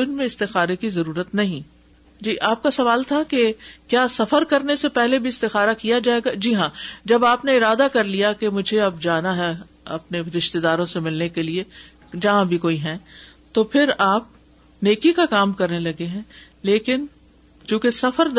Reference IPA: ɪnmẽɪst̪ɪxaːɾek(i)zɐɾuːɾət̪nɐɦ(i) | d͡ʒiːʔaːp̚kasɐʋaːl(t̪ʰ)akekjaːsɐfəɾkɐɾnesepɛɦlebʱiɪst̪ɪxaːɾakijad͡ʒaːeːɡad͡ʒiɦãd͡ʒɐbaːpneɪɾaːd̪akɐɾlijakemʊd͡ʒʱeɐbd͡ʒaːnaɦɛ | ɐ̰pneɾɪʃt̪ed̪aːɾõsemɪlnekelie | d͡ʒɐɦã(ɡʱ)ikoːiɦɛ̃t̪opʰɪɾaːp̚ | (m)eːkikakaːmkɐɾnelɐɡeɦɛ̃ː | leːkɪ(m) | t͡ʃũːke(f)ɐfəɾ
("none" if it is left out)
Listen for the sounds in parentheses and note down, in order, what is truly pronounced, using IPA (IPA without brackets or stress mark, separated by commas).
i, ĩ, t̪ʰ, bʱ, n, n, s